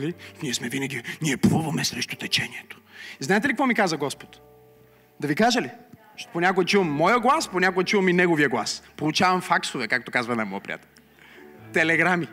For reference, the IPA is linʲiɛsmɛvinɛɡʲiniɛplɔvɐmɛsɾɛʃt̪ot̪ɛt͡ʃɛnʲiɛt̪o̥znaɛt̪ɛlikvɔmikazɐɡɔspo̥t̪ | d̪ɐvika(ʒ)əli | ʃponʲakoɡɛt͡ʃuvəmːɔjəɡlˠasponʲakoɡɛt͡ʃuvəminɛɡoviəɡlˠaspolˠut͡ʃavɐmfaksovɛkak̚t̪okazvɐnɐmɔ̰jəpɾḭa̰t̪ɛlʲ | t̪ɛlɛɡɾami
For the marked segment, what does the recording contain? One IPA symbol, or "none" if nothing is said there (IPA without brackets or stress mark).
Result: ʒ